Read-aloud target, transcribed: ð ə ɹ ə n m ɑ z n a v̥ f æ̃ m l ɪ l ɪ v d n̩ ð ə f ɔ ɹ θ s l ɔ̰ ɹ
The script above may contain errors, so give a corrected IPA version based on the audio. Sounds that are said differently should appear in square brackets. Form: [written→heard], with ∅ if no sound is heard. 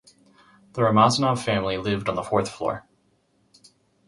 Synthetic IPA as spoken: ð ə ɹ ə [n→∅] m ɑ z n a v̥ f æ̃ m l [ɪ→i] l ɪ v d n̩ ð ə f ɔ ɹ θ [s→f] l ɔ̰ ɹ